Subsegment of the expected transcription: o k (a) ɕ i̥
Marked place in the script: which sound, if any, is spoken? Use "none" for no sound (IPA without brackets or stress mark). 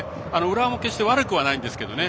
e